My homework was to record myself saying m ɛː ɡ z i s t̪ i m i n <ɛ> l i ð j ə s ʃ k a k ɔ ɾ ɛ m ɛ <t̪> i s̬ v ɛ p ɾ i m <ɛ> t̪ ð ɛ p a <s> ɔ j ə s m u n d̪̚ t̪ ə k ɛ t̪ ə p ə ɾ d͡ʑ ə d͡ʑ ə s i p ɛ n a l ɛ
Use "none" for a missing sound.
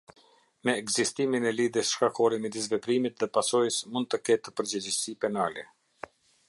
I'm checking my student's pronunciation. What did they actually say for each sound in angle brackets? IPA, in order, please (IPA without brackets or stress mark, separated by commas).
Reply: ɛ, d̪, i, s